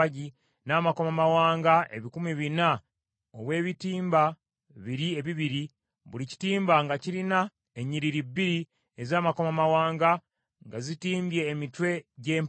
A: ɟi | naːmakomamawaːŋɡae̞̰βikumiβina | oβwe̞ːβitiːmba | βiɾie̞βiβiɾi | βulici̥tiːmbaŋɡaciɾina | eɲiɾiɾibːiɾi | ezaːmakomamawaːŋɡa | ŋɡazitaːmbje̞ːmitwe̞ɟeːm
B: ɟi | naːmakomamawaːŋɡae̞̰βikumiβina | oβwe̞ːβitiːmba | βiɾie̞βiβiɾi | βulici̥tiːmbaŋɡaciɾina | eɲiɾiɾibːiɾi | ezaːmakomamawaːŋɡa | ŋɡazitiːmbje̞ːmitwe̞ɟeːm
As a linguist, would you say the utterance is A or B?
B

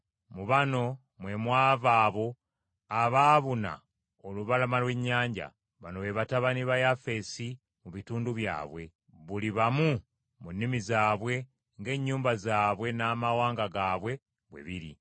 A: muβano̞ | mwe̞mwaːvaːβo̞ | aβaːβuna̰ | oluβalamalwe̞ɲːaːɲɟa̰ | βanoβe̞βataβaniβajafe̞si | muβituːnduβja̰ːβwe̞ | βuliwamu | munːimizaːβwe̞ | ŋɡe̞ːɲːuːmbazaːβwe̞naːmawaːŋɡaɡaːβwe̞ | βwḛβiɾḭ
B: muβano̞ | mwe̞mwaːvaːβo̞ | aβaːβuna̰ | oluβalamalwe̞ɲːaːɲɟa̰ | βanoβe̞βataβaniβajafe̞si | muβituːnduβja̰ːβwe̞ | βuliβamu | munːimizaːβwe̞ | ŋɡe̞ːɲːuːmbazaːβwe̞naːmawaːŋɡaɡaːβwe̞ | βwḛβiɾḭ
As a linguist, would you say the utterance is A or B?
B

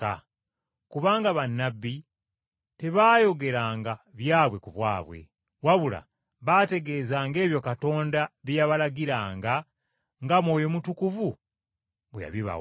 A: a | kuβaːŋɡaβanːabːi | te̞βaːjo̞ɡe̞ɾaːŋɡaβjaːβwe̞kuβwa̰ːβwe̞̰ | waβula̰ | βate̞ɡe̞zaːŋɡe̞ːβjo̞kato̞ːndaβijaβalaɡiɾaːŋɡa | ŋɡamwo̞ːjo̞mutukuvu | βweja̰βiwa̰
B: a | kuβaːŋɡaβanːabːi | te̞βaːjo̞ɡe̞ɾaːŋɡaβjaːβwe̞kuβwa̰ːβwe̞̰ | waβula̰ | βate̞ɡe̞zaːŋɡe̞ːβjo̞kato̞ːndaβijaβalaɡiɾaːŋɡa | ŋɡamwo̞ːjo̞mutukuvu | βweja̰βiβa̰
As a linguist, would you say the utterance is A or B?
B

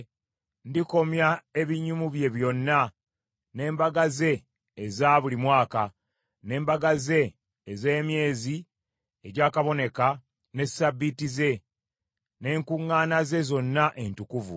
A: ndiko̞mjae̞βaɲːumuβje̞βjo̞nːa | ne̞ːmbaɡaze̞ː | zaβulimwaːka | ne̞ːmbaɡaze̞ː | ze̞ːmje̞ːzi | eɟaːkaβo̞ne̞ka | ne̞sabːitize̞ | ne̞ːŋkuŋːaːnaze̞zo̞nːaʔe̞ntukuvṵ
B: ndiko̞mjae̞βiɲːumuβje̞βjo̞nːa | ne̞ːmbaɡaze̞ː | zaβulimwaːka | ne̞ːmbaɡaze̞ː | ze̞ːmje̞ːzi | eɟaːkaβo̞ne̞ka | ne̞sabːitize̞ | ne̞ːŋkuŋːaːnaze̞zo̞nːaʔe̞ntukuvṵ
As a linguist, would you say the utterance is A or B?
B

